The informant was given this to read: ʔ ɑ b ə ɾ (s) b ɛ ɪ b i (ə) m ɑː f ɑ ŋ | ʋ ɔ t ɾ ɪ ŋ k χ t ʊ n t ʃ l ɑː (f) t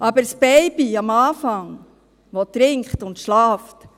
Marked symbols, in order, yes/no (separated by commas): yes, no, yes